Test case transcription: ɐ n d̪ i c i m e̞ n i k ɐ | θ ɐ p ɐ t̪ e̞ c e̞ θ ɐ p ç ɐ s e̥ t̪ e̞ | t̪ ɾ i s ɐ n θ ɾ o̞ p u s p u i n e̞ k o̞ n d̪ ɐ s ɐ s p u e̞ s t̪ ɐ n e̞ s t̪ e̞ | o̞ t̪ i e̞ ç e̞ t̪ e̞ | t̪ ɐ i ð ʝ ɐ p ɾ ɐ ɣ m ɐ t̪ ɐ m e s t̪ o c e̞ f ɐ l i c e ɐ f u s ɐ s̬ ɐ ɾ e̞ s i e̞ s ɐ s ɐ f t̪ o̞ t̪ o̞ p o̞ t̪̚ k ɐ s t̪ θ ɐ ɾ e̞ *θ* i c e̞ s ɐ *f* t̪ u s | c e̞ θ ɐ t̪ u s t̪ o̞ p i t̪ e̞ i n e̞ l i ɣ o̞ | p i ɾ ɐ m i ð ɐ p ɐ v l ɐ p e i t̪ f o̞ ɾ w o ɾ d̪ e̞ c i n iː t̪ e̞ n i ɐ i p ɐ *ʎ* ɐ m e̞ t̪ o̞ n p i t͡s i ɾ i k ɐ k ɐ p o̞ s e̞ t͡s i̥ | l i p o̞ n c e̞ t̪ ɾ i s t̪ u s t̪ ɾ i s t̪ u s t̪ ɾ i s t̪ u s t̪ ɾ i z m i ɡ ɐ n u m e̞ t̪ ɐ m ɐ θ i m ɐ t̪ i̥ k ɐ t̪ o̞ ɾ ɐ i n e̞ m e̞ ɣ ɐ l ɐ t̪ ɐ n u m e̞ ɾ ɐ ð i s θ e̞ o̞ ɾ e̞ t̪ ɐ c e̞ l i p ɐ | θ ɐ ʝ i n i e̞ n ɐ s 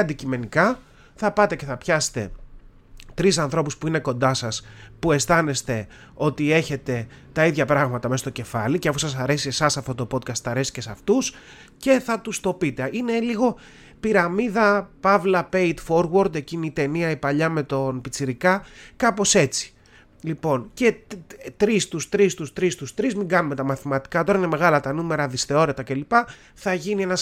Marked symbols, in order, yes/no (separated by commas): no, yes, yes